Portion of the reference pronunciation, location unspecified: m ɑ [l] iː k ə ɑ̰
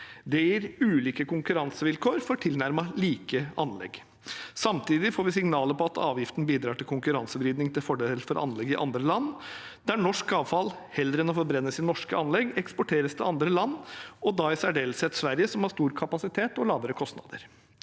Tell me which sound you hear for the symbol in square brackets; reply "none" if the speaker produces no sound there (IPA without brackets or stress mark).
l